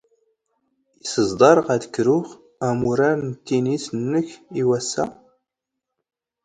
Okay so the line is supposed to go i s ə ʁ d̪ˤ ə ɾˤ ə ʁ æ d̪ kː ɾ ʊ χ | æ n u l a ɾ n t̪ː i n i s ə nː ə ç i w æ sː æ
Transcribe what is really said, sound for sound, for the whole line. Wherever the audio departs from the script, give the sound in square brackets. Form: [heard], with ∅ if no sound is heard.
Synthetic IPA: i s ə [z] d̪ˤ [ɑ] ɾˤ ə ʁ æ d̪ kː ɾ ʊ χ | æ [m] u [ɾ] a ɾ n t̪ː i n i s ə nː ə ç i w æ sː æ